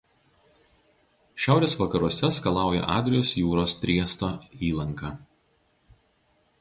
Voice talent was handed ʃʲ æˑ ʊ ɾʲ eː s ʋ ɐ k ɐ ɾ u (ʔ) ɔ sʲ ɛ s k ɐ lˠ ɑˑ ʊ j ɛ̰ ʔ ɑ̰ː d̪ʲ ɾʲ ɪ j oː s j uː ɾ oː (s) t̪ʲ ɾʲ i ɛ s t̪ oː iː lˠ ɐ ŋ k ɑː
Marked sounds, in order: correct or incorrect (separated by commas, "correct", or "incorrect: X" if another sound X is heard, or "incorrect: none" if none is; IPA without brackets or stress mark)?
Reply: incorrect: none, correct